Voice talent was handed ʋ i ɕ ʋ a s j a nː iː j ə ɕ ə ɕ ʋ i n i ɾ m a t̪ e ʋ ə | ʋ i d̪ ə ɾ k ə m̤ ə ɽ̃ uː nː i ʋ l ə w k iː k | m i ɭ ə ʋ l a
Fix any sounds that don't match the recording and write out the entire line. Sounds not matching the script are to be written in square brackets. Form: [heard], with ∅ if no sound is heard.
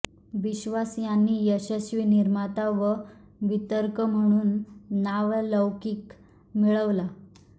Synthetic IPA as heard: ʋ i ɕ ʋ a s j a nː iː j ə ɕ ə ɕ ʋ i n i ɾ m a t̪ [a] ʋ ə | ʋ i [t̪] ə ɾ k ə m̤ ə ɽ̃ uː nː [a] ʋ l ə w k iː k | m i ɭ ə ʋ l a

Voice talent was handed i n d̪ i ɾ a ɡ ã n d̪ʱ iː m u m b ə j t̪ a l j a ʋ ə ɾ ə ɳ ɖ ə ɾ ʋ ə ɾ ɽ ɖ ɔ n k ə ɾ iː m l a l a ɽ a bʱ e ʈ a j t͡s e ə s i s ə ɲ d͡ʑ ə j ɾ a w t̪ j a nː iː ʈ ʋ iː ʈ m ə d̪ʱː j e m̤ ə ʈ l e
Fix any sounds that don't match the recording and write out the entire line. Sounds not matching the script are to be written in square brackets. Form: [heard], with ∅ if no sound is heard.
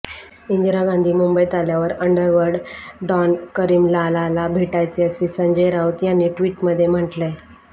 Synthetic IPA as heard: i n d̪ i ɾ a ɡ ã n d̪ʱ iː m u m b ə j t̪ a l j a ʋ ə ɾ ə ɳ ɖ ə ɾ ʋ ə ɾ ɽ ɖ ɔ n k ə ɾ iː m l a l a [l] a bʱ e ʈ a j t͡s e ə s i s ə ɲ d͡ʑ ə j ɾ a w t̪ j a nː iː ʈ ʋ iː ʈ m ə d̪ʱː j e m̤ ə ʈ l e

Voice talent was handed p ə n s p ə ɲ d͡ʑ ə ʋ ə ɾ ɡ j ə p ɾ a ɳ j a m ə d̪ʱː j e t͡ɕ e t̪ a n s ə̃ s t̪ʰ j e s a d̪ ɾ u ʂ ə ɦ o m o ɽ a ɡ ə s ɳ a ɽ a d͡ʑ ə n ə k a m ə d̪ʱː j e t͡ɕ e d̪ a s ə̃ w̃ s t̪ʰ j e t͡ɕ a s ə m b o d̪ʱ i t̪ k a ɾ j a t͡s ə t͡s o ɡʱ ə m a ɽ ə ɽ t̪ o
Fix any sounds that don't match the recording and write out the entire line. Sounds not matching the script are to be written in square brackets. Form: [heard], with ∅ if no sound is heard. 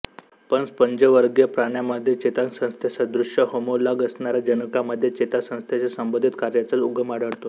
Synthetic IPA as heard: p ə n s p ə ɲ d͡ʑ ə ʋ ə ɾ ɡ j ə p ɾ a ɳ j a m ə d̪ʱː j e t͡ɕ e t̪ a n s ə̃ s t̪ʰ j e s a d̪ ɾ u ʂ ə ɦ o m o [l] a ɡ ə s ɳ a [ɾ] a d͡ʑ ə n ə k a m ə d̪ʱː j e t͡ɕ e [t̪] a s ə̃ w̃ s t̪ʰ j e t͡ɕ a s ə m b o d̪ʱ i t̪ k a ɾ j a t͡s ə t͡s [u] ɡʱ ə m a ɽ ə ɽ t̪ o

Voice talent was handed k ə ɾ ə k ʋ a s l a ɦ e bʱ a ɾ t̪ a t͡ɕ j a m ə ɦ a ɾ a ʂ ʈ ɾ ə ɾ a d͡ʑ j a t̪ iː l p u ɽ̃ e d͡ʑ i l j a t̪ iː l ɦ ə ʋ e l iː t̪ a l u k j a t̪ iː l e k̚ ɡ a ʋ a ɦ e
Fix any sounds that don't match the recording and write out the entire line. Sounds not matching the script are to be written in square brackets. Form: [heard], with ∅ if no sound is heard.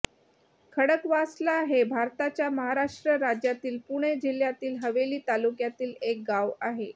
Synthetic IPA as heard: [kʰ] ə [ɽ] ə k ʋ a s l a ɦ e bʱ a ɾ t̪ a t͡ɕ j a m ə ɦ a ɾ a ʂ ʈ ɾ ə ɾ a d͡ʑ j a t̪ iː l p u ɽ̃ e d͡ʑ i l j a t̪ iː l ɦ ə ʋ e l iː t̪ a l u k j a t̪ iː l e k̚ ɡ a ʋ a ɦ e

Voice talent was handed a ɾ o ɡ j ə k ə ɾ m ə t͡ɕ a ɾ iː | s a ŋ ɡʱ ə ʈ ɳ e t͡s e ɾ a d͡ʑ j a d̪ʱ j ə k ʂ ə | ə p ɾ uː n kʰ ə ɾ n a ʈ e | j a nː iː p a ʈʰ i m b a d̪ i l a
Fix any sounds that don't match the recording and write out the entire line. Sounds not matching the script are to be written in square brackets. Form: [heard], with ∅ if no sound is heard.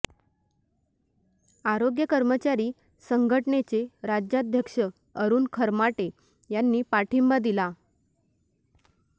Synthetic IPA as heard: a ɾ o ɡ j ə k ə ɾ m ə t͡ɕ a ɾ iː | s [ə] ŋ ɡʱ ə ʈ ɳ e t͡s e ɾ a d͡ʑ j a d̪ʱ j ə k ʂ ə | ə [∅] ɾ uː n kʰ ə ɾ [m] a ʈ e | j a nː iː p a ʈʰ i m b a d̪ i l a

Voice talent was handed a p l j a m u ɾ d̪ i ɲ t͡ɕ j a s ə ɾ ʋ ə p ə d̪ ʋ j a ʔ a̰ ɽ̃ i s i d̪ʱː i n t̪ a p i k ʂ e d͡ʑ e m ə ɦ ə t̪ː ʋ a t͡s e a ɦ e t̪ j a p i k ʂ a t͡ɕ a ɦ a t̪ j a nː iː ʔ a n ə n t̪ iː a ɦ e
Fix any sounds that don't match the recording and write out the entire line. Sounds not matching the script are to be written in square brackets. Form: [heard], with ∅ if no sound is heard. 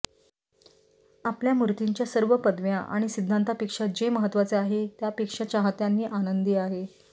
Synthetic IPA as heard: a p l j a m u ɾ [t̪] i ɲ t͡ɕ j a s ə ɾ ʋ ə p ə d̪ ʋ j a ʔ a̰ ɽ̃ i s i d̪ʱː [a] n t̪ a p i k ʂ [a] d͡ʑ e m ə ɦ ə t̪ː ʋ a t͡s e a ɦ e t̪ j a p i k ʂ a t͡ɕ a ɦ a t̪ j a nː iː ʔ a n ə n [d̪] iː a ɦ e

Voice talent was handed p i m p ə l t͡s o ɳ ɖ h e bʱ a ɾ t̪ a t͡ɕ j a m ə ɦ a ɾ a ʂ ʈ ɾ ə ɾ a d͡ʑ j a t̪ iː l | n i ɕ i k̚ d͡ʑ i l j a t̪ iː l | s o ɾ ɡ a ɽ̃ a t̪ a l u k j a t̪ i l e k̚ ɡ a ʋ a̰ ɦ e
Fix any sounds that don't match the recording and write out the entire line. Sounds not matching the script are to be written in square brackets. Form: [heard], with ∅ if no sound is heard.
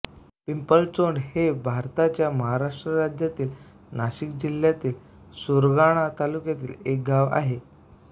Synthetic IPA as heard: p i m p ə l t͡s o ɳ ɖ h e bʱ a ɾ t̪ a t͡ɕ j a m ə ɦ a ɾ a ʂ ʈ ɾ ə ɾ a d͡ʑ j a t̪ iː l | n [a] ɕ i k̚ d͡ʑ i l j a t̪ iː l | s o ɾ ɡ a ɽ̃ a t̪ a l u k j a t̪ [iː] l e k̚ ɡ a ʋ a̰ ɦ e

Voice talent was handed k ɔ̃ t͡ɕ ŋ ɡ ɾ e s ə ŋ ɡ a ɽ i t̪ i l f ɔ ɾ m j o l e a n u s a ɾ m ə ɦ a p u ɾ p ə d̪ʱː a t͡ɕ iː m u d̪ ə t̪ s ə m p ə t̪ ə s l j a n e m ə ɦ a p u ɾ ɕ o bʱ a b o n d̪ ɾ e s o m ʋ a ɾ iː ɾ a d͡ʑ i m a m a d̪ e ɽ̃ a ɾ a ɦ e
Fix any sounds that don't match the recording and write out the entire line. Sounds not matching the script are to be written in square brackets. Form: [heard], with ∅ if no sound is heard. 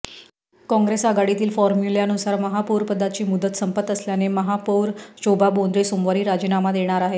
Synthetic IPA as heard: k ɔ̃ [∅] ŋ ɡ ɾ e s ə [∅] ɡ a ɽ i t̪ [iː] l f ɔ ɾ m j [u] l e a n u s a ɾ m ə ɦ a p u ɾ p ə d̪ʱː a t͡ɕ iː m u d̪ ə t̪ s ə m p ə t̪ ə s l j a n e m ə ɦ a p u ɾ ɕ o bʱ a b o n d̪ ɾ e s o m ʋ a ɾ iː ɾ a d͡ʑ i [n] a m a d̪ e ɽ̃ a ɾ a ɦ e

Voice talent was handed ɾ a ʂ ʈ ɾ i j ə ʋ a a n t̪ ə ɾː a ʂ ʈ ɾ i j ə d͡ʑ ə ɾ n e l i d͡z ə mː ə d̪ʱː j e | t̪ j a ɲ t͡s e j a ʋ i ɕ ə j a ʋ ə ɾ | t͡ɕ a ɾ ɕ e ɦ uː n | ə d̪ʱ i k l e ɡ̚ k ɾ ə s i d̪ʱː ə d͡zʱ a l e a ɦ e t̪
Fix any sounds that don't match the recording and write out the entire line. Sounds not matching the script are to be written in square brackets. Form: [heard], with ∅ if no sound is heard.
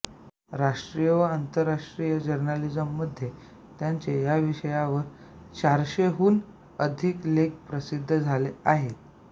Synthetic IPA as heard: ɾ a ʂ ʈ ɾ i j ə ʋ [ə] a n t̪ ə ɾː a ʂ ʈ ɾ i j ə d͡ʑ ə ɾ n [a] l i d͡z ə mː ə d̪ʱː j e | t̪ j a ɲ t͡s e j a ʋ i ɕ ə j a ʋ ə ɾ | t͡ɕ a ɾ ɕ e ɦ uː n | ə d̪ʱ i k l e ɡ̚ [p] ɾ ə s i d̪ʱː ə d͡zʱ a l e a ɦ e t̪

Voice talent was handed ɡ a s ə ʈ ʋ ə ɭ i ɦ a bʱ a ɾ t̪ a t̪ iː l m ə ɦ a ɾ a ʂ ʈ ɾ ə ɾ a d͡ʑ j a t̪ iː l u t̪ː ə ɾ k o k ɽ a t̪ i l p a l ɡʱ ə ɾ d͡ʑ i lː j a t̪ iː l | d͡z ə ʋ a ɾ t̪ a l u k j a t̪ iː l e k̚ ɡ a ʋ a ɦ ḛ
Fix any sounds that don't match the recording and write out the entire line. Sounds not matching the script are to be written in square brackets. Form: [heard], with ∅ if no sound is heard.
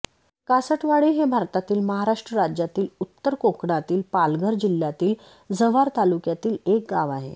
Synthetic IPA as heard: [k] a s ə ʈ ʋ [a] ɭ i ɦ [e] bʱ a ɾ t̪ a t̪ iː l m ə ɦ a ɾ a ʂ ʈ ɾ ə ɾ a d͡ʑ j a t̪ iː l u t̪ː ə ɾ k o k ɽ a t̪ [iː] l p a l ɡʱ ə ɾ d͡ʑ i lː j a t̪ iː l | d͡z ə ʋ a ɾ t̪ a l u k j a t̪ iː l e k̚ ɡ a ʋ a ɦ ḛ

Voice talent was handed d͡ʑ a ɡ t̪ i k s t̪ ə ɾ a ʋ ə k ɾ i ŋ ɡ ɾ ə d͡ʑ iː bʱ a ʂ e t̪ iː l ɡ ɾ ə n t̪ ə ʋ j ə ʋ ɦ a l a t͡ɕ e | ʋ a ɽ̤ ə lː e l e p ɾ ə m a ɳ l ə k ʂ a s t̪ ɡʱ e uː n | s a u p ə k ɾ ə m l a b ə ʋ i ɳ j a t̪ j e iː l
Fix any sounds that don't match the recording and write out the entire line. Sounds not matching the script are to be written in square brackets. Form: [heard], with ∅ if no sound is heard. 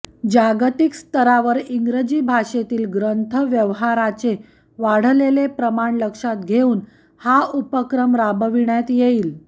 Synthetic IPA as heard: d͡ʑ a ɡ t̪ i k s t̪ ə ɾ a ʋ ə [∅] ɾ i ŋ ɡ ɾ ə d͡ʑ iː bʱ a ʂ e t̪ iː l ɡ ɾ ə n [t̪ʰ] ə ʋ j ə ʋ ɦ a [ɾ] a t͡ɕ e | ʋ a ɽ̤ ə [l] e l e p ɾ ə m a ɳ l ə k ʂ a [∅] t̪ ɡʱ e uː n | [h] a u p ə k ɾ ə m [ɾ] a b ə ʋ i ɳ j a t̪ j e iː l

